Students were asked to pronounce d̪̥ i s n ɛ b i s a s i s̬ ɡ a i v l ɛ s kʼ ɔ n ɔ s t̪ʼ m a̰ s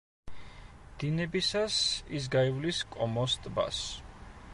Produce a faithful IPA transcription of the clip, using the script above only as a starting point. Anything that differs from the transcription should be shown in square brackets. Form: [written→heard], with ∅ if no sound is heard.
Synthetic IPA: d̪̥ i [s→∅] n ɛ b i s a s i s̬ ɡ a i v l [ɛ→i] s kʼ ɔ [n→m] ɔ s t̪ʼ [m→b] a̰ s

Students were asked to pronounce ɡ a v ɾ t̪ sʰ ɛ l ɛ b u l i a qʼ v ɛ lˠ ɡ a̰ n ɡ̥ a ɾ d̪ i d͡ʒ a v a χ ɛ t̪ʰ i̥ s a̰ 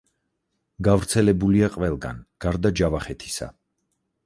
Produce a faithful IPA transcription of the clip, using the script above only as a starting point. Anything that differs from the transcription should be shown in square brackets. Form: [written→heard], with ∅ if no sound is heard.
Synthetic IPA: ɡ a v ɾ t̪ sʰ ɛ l ɛ b u l i a qʼ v ɛ lˠ ɡ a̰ n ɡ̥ a ɾ d̪ [i→a] d͡ʒ a v a χ ɛ t̪ʰ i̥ s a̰

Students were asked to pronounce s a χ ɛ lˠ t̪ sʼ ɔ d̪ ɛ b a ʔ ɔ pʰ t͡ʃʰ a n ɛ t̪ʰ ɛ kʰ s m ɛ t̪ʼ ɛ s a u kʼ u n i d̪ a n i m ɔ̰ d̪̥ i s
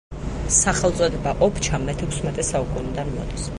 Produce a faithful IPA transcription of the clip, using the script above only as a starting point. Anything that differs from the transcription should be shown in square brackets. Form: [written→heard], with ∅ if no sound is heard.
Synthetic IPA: s a χ ɛ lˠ t̪ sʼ ɔ d̪ ɛ b a ʔ ɔ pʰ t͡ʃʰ a [n→m] ɛ t̪ʰ ɛ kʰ s m ɛ t̪ʼ ɛ s a u kʼ u n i d̪ a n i m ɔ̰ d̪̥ i s

